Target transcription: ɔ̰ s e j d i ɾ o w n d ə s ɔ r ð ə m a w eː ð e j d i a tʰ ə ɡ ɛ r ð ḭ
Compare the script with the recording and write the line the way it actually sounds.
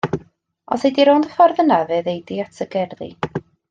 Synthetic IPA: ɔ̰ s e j d i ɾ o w n d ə f ɔ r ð ə n a v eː ð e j d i a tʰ ə ɡ ɛ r ð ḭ

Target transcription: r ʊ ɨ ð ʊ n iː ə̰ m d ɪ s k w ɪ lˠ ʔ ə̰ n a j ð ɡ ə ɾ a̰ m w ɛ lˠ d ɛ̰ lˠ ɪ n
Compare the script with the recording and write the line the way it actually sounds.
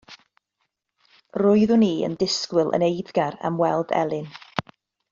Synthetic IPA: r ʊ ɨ ð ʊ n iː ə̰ n d ɪ s k w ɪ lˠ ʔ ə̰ n e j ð ɡ a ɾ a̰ m w ɛ lˠ d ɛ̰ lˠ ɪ n

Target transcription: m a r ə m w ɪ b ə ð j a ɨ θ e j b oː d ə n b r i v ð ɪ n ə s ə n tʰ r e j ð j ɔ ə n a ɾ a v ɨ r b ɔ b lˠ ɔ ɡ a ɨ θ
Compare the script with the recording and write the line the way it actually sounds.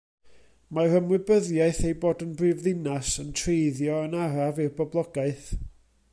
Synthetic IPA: m a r ə m w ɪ b ə ð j a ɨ θ e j b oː d ə n b r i v ð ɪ n a s ə n tʰ r e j ð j ɔ ə n a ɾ a v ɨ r b ɔ b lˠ ɔ ɡ a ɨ θ

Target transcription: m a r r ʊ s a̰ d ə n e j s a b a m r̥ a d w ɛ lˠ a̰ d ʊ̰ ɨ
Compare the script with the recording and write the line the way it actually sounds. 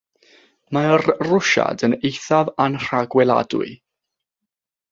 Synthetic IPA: m a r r ʊ ʃ a̰ d ə n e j θ a v a n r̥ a ɡ w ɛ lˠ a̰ d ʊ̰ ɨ

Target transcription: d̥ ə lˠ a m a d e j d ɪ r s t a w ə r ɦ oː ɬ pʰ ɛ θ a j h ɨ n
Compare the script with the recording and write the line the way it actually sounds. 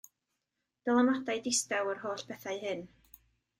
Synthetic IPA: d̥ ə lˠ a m a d a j d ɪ s t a w ə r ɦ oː ɬ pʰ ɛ θ a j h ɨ n

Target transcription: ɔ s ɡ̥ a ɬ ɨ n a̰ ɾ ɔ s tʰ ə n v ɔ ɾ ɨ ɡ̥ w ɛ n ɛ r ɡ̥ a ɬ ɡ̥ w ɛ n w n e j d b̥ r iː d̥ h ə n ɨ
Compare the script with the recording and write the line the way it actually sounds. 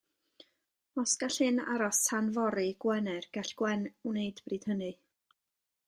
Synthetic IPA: ɔ s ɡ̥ a ɬ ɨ n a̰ ɾ ɔ s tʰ a n v ɔ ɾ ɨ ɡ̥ w ɛ n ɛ r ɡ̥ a ɬ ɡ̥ w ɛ n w n e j d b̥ r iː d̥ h ə n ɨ

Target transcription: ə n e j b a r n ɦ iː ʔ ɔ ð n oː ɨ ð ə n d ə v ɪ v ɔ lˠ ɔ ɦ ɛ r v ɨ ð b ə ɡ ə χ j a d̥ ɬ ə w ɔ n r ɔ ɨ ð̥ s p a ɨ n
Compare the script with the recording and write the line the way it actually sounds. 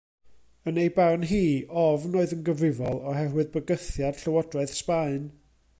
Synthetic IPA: ə n e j b a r n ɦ iː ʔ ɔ v n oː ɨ ð ə n ɡ ə v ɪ v ɔ lˠ ɔ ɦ ɛ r w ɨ ð b ə ɡ ə θ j a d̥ ɬ ə w ɔ d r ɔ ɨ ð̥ s p a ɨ n

